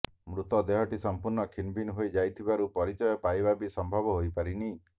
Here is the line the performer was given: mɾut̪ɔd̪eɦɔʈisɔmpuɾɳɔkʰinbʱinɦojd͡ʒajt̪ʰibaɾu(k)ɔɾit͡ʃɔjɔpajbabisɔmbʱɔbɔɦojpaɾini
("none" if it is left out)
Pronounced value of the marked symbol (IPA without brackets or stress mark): p